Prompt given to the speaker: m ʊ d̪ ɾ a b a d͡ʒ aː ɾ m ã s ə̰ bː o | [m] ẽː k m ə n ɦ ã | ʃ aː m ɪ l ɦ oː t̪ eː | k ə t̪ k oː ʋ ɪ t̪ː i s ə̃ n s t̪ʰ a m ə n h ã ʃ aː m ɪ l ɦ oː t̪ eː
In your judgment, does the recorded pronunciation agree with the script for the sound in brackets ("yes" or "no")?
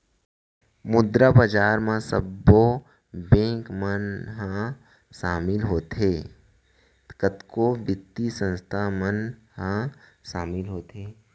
no